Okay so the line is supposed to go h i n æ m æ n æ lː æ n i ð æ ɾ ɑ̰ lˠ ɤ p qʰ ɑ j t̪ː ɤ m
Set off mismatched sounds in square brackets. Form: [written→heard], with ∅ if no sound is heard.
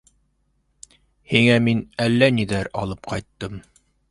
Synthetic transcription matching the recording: h i [n→ŋ] æ m [æ→i] n æ lː æ n i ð æ ɾ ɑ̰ lˠ ɤ p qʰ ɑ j t̪ː ɤ m